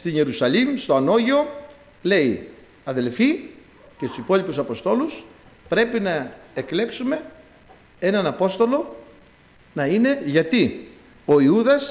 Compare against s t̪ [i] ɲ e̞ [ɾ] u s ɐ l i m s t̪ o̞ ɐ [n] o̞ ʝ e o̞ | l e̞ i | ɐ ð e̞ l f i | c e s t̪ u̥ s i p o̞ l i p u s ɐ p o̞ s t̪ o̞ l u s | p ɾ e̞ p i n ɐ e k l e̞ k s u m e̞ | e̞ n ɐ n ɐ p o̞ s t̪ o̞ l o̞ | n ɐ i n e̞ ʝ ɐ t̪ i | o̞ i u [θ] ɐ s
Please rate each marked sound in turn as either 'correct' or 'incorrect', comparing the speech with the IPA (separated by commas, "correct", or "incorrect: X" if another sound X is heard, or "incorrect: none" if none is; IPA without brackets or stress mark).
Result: correct, correct, correct, incorrect: ð